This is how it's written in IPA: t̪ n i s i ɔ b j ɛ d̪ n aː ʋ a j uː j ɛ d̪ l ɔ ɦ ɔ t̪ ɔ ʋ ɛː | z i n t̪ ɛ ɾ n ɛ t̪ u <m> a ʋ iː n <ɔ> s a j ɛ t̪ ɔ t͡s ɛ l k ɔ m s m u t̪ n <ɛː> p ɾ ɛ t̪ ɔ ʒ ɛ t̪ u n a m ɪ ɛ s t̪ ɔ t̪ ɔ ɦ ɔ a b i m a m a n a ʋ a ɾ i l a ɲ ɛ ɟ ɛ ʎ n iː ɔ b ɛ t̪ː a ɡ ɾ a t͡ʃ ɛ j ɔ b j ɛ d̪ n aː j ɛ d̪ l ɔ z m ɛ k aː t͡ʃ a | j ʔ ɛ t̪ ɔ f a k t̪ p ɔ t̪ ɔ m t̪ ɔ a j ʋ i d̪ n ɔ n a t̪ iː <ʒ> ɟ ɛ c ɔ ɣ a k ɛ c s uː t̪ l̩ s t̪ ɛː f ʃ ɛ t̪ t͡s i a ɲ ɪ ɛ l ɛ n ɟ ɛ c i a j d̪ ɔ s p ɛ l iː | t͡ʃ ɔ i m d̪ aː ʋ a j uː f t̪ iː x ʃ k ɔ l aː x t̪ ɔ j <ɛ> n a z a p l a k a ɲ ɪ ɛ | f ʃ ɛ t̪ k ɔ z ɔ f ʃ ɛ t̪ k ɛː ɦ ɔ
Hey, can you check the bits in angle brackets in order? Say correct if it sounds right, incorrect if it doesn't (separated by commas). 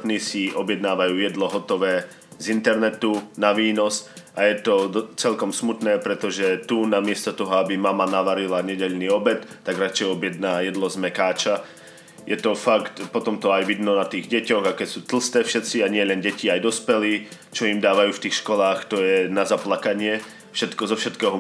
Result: incorrect, correct, correct, incorrect, correct